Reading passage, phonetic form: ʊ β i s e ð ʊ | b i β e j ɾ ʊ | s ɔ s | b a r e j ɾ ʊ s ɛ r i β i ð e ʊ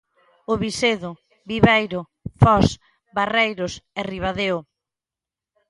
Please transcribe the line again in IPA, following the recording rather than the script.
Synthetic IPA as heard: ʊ β i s e ð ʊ | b i β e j ɾ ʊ | f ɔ s | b a r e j ɾ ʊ s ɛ r i β a ð e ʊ